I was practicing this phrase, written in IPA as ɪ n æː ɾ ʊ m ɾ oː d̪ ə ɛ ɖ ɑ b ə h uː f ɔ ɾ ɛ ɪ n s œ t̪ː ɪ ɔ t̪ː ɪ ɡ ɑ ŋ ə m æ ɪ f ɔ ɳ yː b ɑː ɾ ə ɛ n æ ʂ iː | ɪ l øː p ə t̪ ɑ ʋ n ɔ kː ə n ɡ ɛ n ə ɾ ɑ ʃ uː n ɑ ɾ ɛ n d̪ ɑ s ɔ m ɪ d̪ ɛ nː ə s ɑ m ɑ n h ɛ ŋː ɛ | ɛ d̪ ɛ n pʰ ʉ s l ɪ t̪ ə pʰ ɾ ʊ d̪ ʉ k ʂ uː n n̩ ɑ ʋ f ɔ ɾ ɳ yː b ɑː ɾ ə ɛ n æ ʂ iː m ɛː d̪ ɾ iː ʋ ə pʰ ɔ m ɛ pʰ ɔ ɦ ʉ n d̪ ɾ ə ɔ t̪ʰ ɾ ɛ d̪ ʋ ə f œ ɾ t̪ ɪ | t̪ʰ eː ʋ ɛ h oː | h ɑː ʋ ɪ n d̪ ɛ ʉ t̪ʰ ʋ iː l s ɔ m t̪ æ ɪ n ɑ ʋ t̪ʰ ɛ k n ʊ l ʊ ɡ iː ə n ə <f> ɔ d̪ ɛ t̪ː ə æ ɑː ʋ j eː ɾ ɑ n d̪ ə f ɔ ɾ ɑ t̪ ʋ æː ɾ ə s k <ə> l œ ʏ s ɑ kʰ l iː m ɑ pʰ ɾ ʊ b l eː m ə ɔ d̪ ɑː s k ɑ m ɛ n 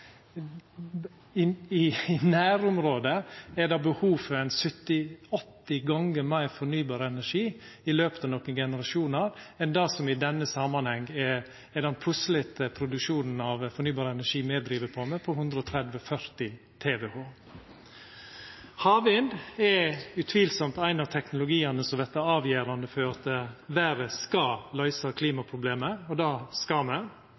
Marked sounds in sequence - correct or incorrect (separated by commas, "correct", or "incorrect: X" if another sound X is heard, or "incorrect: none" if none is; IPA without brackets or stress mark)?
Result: incorrect: s, incorrect: ɑ